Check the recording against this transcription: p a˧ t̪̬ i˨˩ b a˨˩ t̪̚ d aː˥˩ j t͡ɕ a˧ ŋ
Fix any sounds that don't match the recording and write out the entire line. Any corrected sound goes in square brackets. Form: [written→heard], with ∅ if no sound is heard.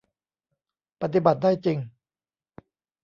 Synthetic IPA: p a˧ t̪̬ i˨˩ b a˨˩ t̪̚ d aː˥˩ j t͡ɕ [a˧→i˧] ŋ